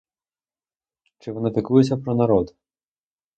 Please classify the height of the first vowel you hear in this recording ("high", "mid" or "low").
high